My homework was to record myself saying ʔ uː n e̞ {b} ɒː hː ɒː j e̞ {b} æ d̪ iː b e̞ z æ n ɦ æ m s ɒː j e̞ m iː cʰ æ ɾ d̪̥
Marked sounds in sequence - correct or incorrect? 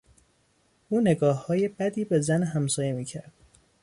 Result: incorrect, correct

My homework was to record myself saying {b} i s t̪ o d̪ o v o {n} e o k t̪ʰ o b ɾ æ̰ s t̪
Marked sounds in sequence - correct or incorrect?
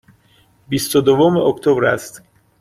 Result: correct, incorrect

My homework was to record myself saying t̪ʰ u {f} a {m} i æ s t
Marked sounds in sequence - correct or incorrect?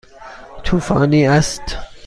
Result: correct, incorrect

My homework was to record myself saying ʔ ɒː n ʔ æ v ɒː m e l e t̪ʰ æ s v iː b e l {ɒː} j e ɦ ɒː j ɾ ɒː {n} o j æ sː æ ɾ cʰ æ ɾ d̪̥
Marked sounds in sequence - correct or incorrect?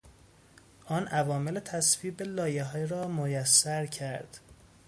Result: correct, incorrect

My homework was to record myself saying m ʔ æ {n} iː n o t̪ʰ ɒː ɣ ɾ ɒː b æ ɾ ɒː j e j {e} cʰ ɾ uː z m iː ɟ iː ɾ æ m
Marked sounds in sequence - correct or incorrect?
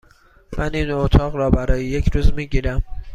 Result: correct, correct

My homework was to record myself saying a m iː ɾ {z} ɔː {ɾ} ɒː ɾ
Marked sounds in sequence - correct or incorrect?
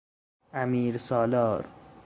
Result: incorrect, incorrect

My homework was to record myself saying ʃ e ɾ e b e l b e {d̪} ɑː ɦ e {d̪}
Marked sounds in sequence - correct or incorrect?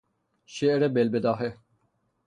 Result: correct, incorrect

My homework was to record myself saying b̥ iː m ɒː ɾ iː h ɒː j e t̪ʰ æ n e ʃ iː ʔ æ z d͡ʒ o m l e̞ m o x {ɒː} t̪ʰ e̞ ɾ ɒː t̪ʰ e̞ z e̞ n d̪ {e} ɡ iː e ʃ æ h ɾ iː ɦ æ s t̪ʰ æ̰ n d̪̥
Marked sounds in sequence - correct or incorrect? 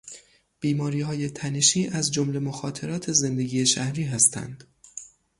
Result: correct, correct

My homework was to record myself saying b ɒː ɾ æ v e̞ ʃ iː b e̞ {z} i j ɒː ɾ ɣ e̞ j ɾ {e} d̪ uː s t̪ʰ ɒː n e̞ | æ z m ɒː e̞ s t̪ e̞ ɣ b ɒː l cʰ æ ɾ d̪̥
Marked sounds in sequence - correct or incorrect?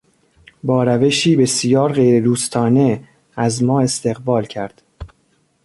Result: incorrect, correct

